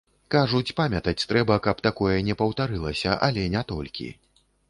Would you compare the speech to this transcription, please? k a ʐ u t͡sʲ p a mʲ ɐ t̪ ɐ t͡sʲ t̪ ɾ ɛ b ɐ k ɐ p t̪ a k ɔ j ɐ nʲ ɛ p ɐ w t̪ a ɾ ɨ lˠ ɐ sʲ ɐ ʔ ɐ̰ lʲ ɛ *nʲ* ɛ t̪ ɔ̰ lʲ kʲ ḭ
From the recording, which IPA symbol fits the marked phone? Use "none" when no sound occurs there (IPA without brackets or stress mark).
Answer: nʲ